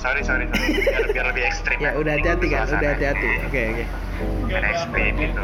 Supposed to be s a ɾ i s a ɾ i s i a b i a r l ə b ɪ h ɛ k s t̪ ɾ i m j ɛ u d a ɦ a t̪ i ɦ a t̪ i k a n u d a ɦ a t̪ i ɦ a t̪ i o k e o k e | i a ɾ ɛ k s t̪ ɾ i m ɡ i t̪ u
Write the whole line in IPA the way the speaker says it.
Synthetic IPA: s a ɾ i s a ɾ i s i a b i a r l ə b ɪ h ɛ k s t̪ ɾ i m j a u d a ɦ a t̪ i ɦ a t̪ i k a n u d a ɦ a t̪ i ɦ a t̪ i o k e o k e | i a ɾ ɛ k s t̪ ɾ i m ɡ i t̪ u